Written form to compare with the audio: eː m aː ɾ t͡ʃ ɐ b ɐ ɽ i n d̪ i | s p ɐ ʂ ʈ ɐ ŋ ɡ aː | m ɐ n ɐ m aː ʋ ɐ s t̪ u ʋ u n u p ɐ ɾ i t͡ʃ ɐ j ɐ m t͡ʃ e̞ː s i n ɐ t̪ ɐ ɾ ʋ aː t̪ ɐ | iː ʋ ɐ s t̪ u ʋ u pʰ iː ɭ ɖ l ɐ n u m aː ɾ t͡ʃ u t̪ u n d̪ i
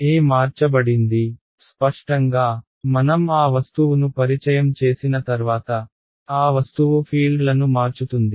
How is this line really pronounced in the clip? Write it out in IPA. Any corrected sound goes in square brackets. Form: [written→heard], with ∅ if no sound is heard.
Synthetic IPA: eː m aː ɾ t͡ʃ ɐ b ɐ ɽ i n d̪ i | s p ɐ ʂ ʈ ɐ ŋ ɡ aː | m ɐ n ɐ m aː ʋ ɐ s t̪ u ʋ u n u p ɐ ɾ i t͡ʃ ɐ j ɐ m t͡ʃ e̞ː s i n ɐ t̪ ɐ ɾ ʋ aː t̪ ɐ | [iː→aː] ʋ ɐ s t̪ u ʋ u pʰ iː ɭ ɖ l ɐ n u m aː ɾ t͡ʃ u t̪ u n d̪ i